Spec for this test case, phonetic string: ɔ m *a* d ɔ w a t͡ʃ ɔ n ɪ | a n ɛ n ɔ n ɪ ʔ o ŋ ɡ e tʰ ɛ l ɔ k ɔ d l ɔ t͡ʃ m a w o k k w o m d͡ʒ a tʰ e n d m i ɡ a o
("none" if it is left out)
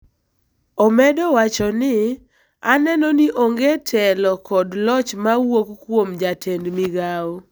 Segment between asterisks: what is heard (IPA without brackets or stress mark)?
ɛ